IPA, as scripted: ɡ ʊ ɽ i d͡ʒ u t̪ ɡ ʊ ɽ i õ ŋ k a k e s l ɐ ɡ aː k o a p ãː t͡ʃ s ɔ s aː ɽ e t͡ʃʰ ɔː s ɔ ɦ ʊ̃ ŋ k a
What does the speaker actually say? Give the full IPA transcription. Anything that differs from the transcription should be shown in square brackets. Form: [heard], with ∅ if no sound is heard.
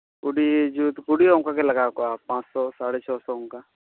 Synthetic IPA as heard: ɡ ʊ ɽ i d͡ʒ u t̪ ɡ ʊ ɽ i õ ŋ k a k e [∅] l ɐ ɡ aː k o a p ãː t͡ʃ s ɔ s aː ɽ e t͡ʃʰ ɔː s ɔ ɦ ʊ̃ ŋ k a